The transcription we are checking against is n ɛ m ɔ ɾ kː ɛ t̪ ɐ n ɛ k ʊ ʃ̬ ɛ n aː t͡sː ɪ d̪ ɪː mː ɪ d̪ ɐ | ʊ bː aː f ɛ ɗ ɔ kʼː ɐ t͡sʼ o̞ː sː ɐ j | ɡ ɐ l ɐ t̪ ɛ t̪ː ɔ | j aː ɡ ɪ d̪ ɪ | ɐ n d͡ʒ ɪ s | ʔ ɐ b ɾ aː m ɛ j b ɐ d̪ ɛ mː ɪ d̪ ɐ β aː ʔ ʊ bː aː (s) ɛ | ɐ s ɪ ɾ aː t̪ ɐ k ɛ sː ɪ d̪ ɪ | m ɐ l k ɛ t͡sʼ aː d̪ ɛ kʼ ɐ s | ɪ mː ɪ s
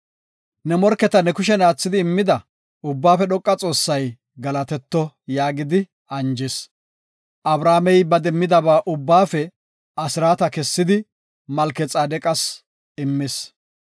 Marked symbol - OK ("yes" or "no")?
no